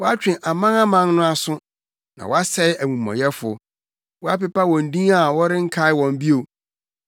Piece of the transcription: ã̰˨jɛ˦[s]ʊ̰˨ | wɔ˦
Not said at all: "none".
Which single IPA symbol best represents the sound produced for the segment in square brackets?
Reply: f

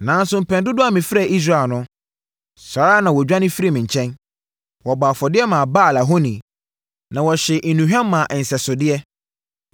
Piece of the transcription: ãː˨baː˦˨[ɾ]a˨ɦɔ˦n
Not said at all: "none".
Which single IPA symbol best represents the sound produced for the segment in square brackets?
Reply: l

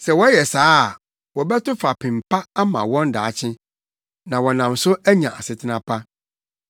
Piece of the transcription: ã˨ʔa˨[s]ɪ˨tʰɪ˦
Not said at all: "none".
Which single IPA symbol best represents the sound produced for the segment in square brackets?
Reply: s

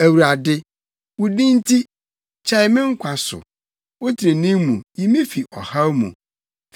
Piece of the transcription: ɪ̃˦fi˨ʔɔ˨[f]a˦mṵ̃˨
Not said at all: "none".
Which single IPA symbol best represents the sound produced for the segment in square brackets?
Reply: h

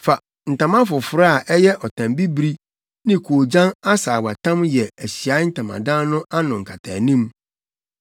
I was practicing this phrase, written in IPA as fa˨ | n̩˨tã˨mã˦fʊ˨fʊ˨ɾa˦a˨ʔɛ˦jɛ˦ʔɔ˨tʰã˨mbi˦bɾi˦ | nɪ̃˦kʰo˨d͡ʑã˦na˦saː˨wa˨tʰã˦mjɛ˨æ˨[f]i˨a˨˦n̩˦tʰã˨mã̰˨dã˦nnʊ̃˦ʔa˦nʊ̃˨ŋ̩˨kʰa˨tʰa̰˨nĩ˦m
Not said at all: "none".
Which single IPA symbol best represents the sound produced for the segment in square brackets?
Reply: ɕ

